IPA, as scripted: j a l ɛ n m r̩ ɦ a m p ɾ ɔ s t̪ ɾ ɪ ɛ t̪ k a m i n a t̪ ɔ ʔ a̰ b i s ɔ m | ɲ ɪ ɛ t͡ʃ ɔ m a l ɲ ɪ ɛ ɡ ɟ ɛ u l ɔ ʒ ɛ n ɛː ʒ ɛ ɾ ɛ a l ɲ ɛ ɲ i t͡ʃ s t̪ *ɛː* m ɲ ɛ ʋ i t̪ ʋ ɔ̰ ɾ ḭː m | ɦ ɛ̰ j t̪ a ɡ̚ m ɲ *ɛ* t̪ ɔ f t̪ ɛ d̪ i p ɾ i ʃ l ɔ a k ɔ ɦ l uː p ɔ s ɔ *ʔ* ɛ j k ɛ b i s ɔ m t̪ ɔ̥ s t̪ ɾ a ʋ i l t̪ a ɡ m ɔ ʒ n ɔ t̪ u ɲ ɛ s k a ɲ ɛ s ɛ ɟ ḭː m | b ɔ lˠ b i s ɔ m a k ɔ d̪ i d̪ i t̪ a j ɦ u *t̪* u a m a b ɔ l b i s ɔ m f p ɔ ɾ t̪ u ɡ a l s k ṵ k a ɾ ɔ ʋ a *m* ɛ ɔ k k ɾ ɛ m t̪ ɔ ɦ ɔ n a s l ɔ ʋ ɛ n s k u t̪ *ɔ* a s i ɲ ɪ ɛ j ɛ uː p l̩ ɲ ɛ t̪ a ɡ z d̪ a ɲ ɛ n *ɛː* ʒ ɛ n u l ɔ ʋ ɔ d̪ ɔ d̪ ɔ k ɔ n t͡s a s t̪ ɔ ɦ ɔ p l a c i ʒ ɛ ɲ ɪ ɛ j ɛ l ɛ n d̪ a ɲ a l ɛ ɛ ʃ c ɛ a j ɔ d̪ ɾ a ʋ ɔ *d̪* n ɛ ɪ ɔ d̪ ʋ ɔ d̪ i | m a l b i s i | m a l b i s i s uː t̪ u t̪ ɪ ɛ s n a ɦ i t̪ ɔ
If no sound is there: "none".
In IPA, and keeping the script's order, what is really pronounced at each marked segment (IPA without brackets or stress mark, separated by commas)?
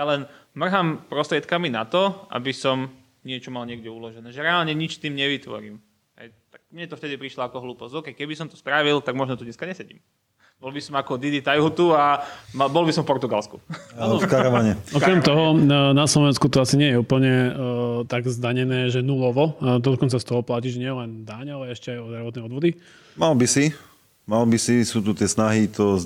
iː, ɛ, k, t̪, ɲ, ɔ, ɛː, t̪